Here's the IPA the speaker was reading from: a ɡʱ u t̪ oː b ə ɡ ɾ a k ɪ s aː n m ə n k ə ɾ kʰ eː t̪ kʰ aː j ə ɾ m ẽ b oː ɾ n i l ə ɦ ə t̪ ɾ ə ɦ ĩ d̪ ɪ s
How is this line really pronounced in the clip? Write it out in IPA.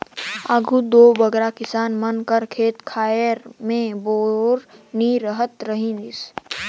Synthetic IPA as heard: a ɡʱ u d̪ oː b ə ɡ ɾ a k ɪ s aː n m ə n k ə ɾ kʰ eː t̪ kʰ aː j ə ɾ m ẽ b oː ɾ n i ɾ ə ɦ ə t̪ ɾ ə ɦ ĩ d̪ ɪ s